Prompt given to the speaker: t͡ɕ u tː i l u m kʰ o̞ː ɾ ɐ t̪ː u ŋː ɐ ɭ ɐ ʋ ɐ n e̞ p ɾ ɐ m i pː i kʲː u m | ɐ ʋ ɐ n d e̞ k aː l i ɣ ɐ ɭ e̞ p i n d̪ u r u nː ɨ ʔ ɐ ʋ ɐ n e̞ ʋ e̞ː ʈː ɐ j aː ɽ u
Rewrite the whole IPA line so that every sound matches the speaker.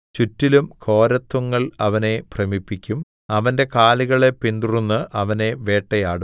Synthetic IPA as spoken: t͡ɕ u tː i l u m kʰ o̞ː ɾ ɐ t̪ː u ŋː ɐ ɭ ɐ ʋ ɐ n e̞ p r ɐ m i pː i kʲː u m | ɐ ʋ ɐ n d e̞ k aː l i ɣ ɐ ɭ e̞ p i n d̪ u r u nː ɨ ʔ ɐ ʋ ɐ n e̞ ʋ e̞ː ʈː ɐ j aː ɽ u